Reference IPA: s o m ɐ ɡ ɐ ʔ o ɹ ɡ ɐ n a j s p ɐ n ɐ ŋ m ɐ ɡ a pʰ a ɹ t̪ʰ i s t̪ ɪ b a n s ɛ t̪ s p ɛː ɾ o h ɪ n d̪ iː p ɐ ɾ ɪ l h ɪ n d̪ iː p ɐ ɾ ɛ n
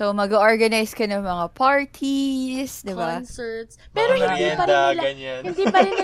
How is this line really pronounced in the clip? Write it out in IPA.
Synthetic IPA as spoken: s o m ɐ ɡ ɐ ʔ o ɹ ɡ ɐ n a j s k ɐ n ɐ ŋ m ɐ ŋ a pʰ a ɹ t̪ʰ i s d̪ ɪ b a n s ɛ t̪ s p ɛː ɾ o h ɪ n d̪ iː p ɐ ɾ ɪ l h ɪ n d̪ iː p ɐ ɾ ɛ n